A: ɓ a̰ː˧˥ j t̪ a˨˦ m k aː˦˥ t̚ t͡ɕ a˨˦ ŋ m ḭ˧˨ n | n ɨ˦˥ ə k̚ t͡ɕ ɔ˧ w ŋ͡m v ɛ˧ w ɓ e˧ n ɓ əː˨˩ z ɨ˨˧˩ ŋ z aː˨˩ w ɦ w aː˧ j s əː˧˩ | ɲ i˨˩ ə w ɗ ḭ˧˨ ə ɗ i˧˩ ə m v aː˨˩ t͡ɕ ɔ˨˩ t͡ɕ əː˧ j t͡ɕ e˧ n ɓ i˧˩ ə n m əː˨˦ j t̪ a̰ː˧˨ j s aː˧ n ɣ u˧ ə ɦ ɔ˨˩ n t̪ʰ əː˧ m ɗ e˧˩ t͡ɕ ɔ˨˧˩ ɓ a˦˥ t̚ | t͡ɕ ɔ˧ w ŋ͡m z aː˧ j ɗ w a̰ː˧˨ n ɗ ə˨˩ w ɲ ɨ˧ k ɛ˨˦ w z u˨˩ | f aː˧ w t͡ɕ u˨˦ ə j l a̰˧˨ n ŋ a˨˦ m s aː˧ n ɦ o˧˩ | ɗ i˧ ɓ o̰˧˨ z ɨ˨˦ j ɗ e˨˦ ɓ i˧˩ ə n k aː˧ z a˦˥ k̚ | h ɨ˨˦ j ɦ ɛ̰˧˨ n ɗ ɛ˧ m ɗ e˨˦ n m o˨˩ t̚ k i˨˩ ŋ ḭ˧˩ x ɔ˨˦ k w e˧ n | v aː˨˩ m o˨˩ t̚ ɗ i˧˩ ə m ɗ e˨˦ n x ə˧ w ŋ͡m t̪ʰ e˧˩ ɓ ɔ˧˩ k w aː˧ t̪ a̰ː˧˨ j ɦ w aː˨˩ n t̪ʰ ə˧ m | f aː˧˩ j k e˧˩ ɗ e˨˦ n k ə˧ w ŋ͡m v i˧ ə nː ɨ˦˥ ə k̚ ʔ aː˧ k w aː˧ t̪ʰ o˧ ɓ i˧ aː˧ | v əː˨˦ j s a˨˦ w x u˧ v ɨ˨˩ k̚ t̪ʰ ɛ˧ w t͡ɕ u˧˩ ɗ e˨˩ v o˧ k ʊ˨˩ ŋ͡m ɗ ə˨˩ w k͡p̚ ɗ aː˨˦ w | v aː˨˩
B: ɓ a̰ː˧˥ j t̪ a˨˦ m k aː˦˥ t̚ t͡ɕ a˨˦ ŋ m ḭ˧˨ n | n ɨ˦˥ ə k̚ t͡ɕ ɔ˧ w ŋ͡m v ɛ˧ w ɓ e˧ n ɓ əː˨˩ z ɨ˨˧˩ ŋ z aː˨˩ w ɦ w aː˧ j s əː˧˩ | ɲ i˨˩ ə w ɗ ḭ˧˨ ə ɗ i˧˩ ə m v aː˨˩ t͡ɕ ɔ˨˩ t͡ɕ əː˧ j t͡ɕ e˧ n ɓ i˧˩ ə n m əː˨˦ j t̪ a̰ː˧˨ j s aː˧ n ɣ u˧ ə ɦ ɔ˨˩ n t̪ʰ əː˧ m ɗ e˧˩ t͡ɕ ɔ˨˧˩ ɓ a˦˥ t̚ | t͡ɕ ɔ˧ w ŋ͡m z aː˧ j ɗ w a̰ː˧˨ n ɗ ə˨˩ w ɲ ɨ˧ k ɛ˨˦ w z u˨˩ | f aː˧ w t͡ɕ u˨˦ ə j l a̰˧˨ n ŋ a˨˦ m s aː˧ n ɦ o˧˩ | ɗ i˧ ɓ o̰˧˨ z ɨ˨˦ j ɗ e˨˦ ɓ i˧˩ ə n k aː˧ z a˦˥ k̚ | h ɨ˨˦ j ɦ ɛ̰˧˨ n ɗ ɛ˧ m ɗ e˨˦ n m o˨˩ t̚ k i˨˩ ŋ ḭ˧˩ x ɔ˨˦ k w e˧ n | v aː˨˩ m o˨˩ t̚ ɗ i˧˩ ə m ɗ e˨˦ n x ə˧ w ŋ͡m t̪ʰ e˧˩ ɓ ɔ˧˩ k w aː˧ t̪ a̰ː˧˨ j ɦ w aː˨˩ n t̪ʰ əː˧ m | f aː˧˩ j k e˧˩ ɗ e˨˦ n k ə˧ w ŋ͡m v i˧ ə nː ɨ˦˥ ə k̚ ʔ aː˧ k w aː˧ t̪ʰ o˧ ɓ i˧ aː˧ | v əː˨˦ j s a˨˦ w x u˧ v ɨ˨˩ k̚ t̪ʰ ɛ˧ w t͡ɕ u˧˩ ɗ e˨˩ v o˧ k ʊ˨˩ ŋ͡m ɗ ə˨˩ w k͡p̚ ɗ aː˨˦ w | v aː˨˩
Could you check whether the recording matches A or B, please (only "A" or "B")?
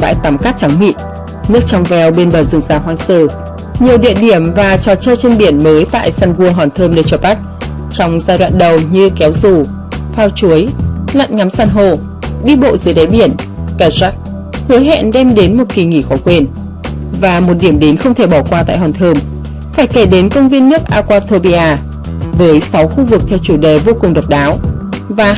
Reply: B